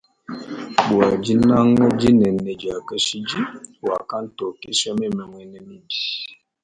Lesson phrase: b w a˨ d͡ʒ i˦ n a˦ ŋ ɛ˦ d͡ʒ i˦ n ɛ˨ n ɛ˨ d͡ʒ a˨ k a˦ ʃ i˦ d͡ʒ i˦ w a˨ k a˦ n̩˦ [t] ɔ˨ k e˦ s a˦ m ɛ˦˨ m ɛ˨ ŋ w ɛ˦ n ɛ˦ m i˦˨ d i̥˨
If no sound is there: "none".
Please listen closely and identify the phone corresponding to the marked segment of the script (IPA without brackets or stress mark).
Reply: t